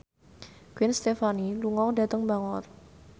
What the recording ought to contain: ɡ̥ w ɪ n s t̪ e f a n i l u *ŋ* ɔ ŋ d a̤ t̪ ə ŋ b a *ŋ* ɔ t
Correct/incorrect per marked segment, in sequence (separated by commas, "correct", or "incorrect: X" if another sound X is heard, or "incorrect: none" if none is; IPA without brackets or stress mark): correct, correct